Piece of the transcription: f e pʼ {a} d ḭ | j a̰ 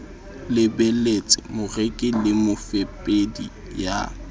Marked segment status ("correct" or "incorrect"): incorrect